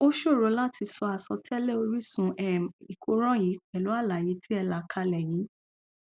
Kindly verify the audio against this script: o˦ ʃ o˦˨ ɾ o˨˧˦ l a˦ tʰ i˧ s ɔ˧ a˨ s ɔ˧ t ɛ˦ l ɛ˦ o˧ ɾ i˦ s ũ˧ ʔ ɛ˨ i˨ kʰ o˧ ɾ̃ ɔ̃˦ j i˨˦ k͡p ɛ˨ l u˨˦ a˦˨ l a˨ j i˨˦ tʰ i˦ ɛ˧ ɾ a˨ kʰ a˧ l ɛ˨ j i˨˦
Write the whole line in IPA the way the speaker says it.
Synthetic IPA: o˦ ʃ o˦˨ ɾ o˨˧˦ l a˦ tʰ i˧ s ɔ˧ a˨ s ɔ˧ t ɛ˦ l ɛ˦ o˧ ɾ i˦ s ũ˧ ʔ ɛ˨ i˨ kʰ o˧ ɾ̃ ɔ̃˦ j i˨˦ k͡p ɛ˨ l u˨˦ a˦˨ l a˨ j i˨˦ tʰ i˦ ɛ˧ l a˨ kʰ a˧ l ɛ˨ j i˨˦